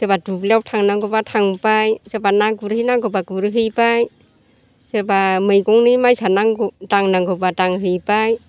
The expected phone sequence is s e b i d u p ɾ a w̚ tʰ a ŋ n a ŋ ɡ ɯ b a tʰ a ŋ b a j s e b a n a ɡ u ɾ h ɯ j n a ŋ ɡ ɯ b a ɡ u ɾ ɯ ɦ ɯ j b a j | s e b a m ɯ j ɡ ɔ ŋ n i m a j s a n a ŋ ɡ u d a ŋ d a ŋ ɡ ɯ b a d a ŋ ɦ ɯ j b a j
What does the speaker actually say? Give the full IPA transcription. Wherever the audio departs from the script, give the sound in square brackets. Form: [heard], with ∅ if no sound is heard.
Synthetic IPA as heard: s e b [a] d u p [l] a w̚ tʰ a ŋ n a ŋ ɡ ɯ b a tʰ a ŋ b a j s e b a n a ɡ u ɾ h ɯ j n a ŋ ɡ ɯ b a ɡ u ɾ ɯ ɦ ɯ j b a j | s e b a m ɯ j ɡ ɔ ŋ n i m a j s a n a ŋ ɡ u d a ŋ [n] a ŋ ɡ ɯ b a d a ŋ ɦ ɯ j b a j

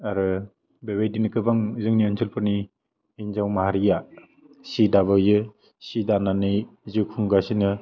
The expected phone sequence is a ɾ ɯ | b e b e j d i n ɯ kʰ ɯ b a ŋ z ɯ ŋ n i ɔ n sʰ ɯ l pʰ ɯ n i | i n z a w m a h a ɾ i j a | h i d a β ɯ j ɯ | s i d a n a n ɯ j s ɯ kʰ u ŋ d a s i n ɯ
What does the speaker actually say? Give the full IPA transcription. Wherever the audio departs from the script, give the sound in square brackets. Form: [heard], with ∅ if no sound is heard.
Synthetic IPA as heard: a ɾ ɯ | b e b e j d i n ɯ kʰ ɯ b a ŋ z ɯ ŋ n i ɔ n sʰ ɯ l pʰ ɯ n i | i n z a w m a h a ɾ i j a | [s] i d a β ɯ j ɯ | s i d a n a n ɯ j [z] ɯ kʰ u ŋ [ɡ] a s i n ɯ

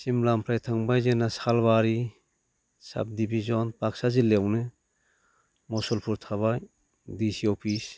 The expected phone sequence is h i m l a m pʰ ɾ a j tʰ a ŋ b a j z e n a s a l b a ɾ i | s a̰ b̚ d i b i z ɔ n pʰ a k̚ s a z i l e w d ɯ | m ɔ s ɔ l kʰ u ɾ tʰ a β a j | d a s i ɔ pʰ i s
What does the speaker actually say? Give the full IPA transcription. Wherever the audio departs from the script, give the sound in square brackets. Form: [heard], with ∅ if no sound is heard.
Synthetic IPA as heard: [s] i m l a m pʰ ɾ a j tʰ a ŋ b a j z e n a s a l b a ɾ i | s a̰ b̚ d i b i z ɔ n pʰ a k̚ s a z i l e w [n] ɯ | m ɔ s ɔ l [pʰ] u ɾ tʰ a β a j | d [i] s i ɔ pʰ i s

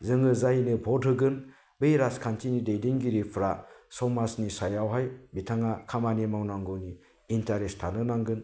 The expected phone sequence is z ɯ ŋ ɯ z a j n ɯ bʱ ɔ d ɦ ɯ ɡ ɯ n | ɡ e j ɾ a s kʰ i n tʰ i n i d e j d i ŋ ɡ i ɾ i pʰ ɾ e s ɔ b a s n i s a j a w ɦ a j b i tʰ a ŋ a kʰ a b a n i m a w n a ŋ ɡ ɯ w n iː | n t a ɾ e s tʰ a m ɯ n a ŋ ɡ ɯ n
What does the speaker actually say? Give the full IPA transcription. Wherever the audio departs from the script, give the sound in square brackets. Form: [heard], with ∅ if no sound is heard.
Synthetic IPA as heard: z ɯ ŋ ɯ z a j n ɯ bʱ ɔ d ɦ ɯ ɡ ɯ n | [b] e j ɾ a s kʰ [a] n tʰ i n i d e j d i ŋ ɡ i ɾ i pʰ ɾ [a] s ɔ [m] a s n i s a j a w ɦ a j b i tʰ a ŋ a kʰ a [m] a n i m a w n a ŋ ɡ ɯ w n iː | n t a ɾ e s tʰ a [n] ɯ n a ŋ ɡ ɯ n

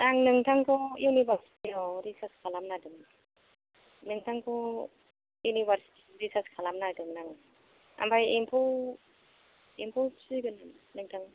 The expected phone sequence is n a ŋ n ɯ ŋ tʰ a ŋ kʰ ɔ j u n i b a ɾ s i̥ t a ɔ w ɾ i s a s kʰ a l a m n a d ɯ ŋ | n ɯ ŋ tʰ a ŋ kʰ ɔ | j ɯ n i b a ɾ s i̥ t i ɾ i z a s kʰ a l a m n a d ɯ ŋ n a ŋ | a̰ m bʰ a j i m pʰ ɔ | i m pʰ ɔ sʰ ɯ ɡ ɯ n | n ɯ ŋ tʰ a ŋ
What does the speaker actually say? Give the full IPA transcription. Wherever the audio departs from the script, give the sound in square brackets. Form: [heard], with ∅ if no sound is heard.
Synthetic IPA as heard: n a ŋ n ɯ ŋ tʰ a ŋ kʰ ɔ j u n i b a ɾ s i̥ t [i] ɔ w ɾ i s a s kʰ a l a m n a d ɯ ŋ | n ɯ ŋ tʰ a ŋ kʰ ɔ | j [u] n i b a ɾ s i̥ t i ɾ i [s] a s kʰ a l a m n a d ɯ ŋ n a ŋ | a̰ m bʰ a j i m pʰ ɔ | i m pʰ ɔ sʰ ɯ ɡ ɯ n | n ɯ ŋ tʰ a ŋ

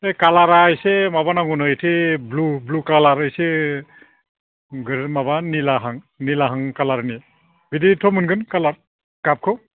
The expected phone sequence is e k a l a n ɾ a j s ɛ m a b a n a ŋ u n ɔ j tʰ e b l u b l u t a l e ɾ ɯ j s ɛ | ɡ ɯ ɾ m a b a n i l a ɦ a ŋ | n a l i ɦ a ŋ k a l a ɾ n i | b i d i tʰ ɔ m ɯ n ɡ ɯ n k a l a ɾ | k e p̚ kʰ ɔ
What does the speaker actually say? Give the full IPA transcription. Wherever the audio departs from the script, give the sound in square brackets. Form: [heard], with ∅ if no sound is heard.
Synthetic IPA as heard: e k a l a [∅] ɾ a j s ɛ m a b a n a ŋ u n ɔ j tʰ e b l u b l u [k] a l [a] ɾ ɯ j s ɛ | ɡ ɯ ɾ m a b a n i l a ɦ a ŋ | n [i] l [a] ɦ a ŋ k a l a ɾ n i | b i d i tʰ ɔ m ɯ n ɡ ɯ n k a l a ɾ | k [a] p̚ kʰ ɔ

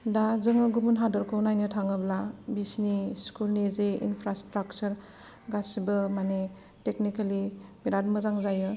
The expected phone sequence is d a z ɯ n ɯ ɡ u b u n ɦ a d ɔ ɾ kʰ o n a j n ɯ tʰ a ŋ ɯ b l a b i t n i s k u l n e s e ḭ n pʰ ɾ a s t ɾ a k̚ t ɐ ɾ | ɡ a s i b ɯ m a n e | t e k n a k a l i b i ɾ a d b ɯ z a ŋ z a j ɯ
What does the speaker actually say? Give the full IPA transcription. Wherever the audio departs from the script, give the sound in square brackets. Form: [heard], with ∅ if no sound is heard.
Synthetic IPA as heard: d a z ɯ [ŋ] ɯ ɡ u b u n ɦ a d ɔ ɾ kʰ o n a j n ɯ tʰ a ŋ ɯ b l a b i [s] n i s k u l n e [z] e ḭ n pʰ ɾ a s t ɾ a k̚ [t͡ʃ] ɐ ɾ | ɡ a s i b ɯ m a n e | t e k n [i] k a l i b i ɾ a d [m] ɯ z a ŋ z a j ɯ

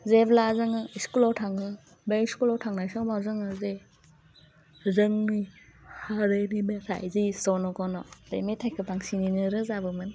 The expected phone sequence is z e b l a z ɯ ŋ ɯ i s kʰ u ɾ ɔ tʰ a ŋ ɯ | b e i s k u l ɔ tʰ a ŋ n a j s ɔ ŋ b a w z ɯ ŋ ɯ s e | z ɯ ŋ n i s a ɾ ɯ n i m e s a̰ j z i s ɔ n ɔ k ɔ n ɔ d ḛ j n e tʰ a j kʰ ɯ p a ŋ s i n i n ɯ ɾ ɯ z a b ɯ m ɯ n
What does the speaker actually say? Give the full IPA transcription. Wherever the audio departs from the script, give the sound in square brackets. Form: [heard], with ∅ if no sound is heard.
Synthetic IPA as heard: z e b l a z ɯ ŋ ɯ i s [k] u [l] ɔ tʰ a ŋ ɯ | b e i s k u l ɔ tʰ a ŋ n a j s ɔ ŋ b a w z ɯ ŋ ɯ [z] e | z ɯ ŋ n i [h] a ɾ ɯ n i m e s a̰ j z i s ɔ n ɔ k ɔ n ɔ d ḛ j [m] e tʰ a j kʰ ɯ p a ŋ s i n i n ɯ ɾ ɯ z a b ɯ m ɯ n

